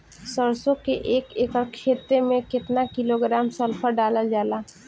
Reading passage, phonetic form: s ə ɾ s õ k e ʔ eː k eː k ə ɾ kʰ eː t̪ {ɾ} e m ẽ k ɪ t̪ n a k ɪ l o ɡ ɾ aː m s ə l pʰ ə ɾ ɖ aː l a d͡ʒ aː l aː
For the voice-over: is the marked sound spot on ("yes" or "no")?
yes